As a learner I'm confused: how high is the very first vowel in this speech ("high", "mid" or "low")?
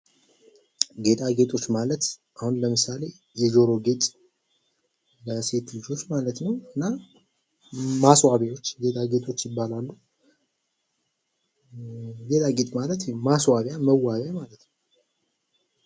mid